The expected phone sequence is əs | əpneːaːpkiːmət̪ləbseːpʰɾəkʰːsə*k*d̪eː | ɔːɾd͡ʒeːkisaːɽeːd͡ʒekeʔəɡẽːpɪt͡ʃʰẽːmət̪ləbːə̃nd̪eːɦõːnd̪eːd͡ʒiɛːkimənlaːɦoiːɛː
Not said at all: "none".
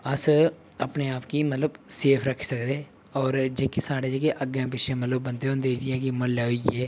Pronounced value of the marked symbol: k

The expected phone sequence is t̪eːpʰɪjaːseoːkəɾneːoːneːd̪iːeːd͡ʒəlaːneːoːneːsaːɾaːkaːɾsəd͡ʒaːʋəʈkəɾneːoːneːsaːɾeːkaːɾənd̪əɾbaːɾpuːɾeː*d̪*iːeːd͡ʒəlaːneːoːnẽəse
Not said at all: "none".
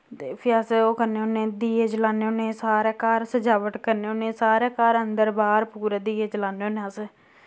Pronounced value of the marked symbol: d̪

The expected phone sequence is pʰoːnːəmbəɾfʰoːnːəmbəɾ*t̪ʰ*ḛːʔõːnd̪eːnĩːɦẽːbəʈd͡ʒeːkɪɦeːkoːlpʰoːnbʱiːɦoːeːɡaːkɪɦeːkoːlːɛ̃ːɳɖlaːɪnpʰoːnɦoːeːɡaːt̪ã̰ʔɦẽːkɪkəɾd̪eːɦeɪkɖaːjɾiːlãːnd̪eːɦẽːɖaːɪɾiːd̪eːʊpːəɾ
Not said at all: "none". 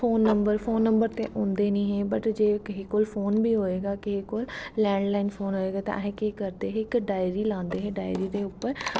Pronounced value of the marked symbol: t̪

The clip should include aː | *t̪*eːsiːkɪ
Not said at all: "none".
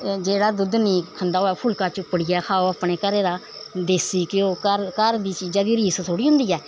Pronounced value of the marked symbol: d̪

